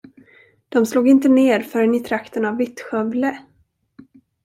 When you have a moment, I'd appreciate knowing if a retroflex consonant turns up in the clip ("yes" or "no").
no